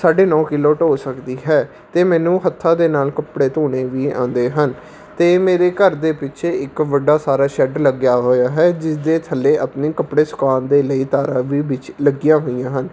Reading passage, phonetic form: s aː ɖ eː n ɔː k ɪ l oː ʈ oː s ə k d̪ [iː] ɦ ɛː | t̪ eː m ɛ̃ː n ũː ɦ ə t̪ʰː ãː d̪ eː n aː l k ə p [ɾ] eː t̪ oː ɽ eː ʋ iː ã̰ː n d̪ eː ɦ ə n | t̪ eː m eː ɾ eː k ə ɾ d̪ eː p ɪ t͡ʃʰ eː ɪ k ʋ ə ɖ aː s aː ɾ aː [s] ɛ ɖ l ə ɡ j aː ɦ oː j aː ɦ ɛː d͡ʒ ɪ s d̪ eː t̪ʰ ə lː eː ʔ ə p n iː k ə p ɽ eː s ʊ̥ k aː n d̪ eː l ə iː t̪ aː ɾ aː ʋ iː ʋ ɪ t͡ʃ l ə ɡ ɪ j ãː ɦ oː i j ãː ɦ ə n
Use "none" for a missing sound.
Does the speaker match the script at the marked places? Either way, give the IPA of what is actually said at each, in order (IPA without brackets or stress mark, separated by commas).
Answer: iː, ɽ, ʃ